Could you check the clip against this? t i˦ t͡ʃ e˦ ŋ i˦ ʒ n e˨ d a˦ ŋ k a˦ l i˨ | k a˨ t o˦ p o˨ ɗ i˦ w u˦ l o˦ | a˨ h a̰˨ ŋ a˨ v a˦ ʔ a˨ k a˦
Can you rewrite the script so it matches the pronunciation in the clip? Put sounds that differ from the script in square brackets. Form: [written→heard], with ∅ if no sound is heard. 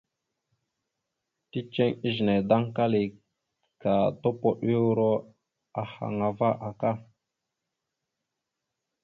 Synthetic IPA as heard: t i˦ t͡ʃ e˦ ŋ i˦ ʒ n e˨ d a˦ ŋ k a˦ l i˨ | k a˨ t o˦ p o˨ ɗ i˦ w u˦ [l→ɾ] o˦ | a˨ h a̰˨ ŋ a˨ v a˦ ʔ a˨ k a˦